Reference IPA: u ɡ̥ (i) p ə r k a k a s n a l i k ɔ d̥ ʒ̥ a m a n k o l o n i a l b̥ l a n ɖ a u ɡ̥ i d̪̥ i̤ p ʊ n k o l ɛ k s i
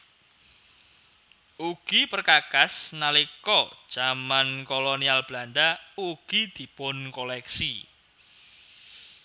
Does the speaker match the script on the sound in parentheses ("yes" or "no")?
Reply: yes